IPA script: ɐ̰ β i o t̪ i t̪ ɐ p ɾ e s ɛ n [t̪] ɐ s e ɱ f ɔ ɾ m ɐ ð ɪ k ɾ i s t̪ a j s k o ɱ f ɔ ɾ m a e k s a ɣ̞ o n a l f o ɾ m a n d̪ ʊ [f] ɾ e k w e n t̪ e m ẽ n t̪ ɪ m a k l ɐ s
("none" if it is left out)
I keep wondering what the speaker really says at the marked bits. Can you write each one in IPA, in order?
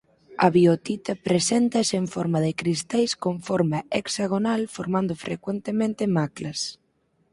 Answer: t̪, f

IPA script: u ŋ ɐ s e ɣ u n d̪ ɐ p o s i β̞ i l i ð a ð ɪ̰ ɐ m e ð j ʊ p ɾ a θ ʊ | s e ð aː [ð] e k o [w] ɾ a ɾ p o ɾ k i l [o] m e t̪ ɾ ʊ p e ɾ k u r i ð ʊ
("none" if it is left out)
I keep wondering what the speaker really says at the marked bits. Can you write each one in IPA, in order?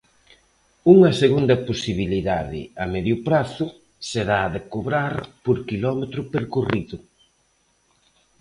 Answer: ð, β, ɔ

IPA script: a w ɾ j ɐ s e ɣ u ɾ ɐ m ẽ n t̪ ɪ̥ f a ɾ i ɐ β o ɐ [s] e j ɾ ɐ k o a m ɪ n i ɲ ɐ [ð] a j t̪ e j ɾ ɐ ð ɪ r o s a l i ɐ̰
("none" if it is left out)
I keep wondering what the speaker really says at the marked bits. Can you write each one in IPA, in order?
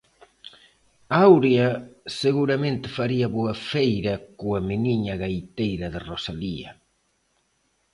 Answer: f, ɣ

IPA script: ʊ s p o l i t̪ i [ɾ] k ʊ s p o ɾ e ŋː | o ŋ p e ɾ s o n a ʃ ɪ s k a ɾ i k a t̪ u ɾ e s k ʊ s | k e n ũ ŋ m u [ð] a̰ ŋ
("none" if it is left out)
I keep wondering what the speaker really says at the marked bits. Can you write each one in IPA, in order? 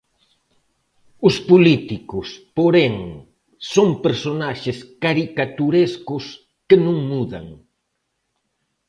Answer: none, ð

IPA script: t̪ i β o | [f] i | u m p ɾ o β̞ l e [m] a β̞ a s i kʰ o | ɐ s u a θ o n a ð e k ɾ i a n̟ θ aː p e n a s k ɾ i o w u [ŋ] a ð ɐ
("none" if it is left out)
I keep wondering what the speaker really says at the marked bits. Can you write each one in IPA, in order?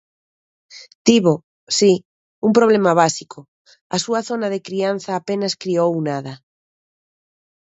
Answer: s, m, n

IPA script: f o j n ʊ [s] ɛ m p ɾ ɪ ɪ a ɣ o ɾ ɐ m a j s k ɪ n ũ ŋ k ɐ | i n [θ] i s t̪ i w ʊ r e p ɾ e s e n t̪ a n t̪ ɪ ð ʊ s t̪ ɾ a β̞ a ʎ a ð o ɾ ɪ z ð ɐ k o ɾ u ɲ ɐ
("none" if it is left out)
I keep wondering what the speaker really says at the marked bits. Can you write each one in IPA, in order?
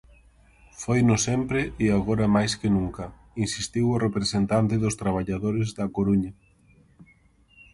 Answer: s, s

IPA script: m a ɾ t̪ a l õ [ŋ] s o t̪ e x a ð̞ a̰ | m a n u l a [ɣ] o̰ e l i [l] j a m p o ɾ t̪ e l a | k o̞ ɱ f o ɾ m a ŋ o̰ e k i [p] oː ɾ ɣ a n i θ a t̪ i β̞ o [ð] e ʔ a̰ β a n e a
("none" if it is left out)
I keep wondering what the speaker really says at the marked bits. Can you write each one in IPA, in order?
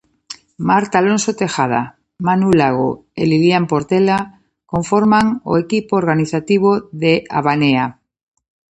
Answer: n, ɣ, l, p, ð

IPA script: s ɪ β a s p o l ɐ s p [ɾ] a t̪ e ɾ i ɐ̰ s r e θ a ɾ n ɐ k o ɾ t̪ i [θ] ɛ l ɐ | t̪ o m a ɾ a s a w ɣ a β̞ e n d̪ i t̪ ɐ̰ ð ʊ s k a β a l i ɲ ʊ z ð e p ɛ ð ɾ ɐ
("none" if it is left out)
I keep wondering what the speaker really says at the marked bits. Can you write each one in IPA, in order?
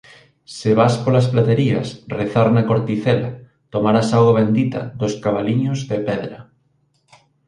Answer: l, θ

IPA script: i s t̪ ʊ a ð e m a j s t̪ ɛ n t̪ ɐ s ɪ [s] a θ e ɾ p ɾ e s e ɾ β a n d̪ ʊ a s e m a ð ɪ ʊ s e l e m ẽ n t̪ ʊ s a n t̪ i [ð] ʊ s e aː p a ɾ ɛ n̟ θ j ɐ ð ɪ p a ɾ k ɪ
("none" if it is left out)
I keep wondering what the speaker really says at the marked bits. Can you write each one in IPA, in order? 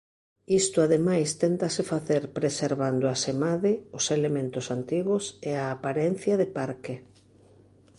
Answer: f, ɣ

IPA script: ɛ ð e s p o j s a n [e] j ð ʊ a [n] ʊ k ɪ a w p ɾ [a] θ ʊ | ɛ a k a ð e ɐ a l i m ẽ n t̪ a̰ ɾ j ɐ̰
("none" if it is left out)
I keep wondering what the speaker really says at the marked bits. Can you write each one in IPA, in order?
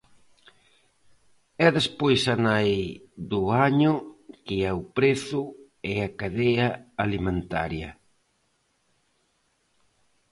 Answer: a, ɲ, e

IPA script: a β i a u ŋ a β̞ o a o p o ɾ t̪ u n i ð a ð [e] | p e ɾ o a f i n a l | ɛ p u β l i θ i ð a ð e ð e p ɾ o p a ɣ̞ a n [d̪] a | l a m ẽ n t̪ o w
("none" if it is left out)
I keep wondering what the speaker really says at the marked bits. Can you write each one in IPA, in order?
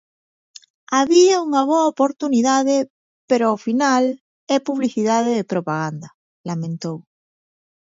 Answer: e, d̪

